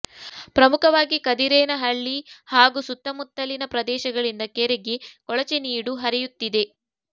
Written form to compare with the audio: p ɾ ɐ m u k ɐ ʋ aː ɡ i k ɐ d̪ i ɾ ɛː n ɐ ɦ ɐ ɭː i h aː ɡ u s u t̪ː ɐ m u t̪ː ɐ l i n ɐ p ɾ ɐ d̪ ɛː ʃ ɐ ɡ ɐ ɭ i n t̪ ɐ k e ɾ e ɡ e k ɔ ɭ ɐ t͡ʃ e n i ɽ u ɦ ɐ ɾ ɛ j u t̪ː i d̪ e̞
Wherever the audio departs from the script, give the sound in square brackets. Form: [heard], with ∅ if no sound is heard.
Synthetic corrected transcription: p ɾ ɐ m u k ɐ ʋ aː ɡ i k ɐ d̪ i ɾ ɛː n ɐ ɦ ɐ ɭː i h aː ɡ u s u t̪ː ɐ m u t̪ː ɐ l i n ɐ p ɾ ɐ d̪ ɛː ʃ ɐ ɡ ɐ ɭ i n [d̪] ɐ k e ɾ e ɡ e k ɔ ɭ ɐ t͡ʃ e n [iː] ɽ u ɦ ɐ ɾ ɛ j u t̪ː i d̪ e̞

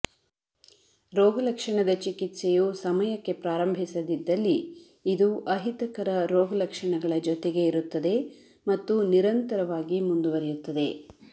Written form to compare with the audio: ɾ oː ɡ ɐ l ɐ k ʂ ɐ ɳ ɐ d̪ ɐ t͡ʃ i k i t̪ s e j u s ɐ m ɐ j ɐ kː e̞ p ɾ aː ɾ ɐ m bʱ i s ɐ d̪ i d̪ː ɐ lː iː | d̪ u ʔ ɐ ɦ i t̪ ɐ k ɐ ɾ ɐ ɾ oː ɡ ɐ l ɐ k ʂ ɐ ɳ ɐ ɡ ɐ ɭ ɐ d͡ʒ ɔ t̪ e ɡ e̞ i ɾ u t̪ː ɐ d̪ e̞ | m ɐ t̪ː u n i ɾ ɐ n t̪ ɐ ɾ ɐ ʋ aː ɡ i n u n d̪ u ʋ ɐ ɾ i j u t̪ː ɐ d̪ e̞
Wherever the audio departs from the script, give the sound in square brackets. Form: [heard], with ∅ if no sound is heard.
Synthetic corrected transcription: ɾ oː ɡ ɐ l ɐ k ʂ ɐ ɳ ɐ d̪ ɐ t͡ʃ i k i t̪ s e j u s ɐ m ɐ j ɐ kː e̞ p ɾ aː ɾ ɐ m bʱ i s ɐ d̪ i d̪ː ɐ lː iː | d̪ u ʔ ɐ ɦ i t̪ ɐ k ɐ ɾ ɐ ɾ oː ɡ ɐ l ɐ k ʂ ɐ ɳ ɐ ɡ ɐ ɭ ɐ d͡ʒ ɔ t̪ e ɡ e̞ i ɾ u t̪ː ɐ d̪ e̞ | m ɐ t̪ː u n i ɾ ɐ n t̪ ɐ ɾ ɐ ʋ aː ɡ i [m] u n d̪ u ʋ ɐ ɾ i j u t̪ː ɐ d̪ e̞

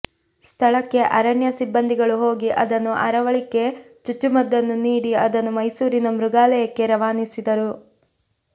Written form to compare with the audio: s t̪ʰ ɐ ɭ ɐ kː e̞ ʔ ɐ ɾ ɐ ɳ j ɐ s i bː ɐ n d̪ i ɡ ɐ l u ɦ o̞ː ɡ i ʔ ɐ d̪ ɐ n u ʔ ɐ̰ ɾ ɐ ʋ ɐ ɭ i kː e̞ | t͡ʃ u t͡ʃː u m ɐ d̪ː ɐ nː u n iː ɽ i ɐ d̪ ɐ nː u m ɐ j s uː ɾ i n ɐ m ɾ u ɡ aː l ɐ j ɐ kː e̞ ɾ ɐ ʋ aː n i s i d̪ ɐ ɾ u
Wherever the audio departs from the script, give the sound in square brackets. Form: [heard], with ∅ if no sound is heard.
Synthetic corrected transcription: s t̪ʰ ɐ ɭ ɐ kː e̞ ʔ ɐ ɾ ɐ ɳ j ɐ s i bː ɐ n d̪ i ɡ ɐ [ɭ] u ɦ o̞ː ɡ i ʔ ɐ d̪ ɐ [nː] u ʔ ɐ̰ ɾ ɐ ʋ ɐ ɭ i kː e̞ | t͡ʃ u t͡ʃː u m ɐ d̪ː ɐ nː u n iː ɽ i ɐ d̪ ɐ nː u m ɐ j s uː ɾ i n ɐ m ɾ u ɡ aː l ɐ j ɐ kː e̞ ɾ ɐ ʋ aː n i s i d̪ ɐ ɾ u

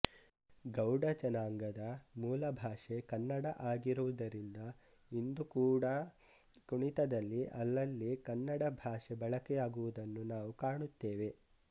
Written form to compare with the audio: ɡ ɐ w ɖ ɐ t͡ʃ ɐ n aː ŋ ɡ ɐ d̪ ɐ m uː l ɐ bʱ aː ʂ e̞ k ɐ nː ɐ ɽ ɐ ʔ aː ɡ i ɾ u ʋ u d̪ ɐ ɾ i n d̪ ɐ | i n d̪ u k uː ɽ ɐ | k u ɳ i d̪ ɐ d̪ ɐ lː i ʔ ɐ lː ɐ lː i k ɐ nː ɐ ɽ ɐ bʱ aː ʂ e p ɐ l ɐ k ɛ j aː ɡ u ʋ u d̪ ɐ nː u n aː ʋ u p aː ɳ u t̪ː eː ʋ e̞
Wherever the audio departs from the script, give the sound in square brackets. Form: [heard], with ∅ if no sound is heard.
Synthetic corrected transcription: ɡ ɐ w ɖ ɐ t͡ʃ ɐ n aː ŋ ɡ ɐ d̪ ɐ m uː l ɐ bʱ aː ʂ e̞ k ɐ nː ɐ ɽ ɐ ʔ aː ɡ i ɾ u ʋ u d̪ ɐ ɾ i n d̪ ɐ | i n d̪ u k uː ɽ ɐ | k u ɳ i [t̪] ɐ d̪ ɐ lː i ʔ ɐ lː ɐ lː i k ɐ nː ɐ ɽ ɐ bʱ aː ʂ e [b] ɐ [ɭ] ɐ k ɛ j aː ɡ u ʋ u d̪ ɐ nː u n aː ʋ u [k] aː ɳ u t̪ː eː ʋ e̞

